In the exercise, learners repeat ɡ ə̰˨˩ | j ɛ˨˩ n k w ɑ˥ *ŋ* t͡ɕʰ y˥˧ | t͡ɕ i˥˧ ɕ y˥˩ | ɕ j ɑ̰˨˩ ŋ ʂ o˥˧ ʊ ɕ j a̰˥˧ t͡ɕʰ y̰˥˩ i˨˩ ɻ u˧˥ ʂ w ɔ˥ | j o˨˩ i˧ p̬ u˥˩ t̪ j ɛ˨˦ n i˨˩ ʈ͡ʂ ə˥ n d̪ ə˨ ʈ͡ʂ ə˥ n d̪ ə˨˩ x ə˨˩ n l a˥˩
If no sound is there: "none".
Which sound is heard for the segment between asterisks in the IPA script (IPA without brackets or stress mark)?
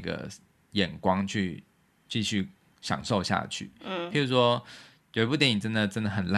ŋ